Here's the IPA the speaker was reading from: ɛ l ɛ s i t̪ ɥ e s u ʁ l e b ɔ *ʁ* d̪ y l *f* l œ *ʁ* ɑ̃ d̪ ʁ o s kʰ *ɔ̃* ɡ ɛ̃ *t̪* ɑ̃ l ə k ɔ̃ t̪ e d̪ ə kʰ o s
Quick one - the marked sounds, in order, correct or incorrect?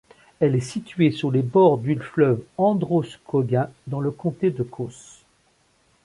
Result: correct, correct, incorrect: v, incorrect: ɔ, incorrect: d̪

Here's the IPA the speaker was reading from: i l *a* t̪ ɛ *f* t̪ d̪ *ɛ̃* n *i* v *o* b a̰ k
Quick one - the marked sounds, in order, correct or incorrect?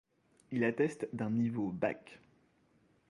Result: correct, incorrect: s, correct, correct, correct

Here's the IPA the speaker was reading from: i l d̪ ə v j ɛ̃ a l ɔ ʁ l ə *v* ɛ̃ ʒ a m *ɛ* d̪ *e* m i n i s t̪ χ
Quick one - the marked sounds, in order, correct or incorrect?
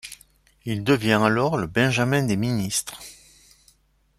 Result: incorrect: b, incorrect: ɛ̃, correct

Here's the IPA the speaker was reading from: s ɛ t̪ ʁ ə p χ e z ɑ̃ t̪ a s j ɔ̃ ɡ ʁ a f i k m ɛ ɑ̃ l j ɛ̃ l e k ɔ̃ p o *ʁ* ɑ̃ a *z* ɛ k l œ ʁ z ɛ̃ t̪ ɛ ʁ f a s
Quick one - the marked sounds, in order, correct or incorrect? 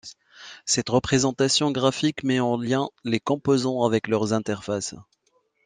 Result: incorrect: z, incorrect: v

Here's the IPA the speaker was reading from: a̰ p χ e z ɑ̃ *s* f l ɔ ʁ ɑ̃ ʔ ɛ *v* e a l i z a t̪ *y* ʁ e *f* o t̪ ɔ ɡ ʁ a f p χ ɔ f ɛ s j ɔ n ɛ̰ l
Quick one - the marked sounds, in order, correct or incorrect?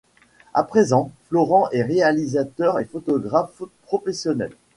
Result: incorrect: none, incorrect: ʁ, incorrect: œ, correct

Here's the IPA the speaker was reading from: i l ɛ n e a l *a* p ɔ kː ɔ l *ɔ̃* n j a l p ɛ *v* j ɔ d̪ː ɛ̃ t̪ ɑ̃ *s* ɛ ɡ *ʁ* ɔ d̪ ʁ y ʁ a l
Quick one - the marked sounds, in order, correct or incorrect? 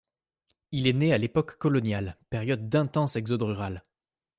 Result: incorrect: e, incorrect: ɔ, incorrect: ʁ, correct, incorrect: z

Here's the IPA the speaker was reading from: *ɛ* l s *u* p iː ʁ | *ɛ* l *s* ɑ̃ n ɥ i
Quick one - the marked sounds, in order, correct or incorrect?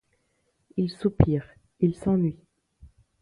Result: incorrect: i, correct, incorrect: i, correct

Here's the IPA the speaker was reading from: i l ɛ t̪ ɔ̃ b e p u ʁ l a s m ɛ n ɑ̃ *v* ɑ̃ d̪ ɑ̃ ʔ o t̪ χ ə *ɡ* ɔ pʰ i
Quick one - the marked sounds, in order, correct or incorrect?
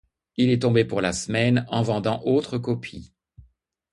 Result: correct, incorrect: k

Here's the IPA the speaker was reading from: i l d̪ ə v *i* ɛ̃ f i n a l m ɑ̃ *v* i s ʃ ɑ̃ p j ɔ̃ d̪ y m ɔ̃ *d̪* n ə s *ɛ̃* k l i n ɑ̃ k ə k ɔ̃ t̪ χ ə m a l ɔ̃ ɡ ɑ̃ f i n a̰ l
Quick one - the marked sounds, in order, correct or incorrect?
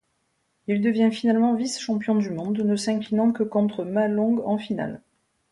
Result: incorrect: j, correct, correct, correct

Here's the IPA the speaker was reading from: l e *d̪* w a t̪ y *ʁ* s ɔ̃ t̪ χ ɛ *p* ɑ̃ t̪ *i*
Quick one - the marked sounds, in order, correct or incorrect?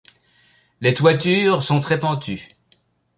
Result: incorrect: t̪, correct, correct, incorrect: y

